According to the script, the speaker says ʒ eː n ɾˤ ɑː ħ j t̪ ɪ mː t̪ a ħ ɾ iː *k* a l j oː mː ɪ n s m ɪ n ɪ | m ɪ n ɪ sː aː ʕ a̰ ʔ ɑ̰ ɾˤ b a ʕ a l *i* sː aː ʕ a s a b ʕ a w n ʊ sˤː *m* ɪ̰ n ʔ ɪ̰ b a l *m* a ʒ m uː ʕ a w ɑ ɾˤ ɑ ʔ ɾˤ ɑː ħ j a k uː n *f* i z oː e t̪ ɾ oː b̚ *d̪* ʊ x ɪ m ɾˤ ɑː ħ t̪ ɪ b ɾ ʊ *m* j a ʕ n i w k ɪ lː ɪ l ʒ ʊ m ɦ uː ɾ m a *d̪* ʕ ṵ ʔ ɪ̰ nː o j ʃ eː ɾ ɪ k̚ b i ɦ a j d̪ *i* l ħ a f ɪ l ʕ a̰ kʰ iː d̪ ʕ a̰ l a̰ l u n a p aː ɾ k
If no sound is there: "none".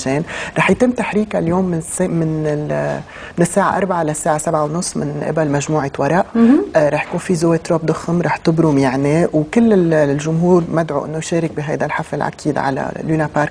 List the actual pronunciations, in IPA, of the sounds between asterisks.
k, a, m, m, f, d̪, m, d̪, a

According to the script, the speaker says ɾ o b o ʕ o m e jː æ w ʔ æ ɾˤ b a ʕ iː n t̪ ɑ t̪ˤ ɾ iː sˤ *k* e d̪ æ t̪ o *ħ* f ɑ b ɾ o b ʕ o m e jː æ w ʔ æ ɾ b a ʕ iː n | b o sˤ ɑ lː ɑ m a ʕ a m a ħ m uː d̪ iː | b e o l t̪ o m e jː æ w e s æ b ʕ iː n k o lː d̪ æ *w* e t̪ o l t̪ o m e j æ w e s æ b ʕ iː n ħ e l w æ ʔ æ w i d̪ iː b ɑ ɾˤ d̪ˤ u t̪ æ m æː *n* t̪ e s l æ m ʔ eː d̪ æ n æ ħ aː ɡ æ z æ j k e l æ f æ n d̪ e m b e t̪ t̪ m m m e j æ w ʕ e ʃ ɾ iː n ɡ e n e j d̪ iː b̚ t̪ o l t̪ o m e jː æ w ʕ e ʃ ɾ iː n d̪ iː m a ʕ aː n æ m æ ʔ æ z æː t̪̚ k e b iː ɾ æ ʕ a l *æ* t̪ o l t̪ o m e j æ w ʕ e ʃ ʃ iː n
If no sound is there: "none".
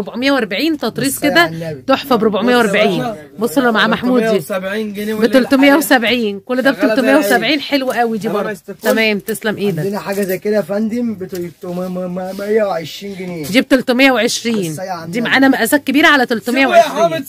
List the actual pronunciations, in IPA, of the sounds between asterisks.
k, ħ, b, m, æ

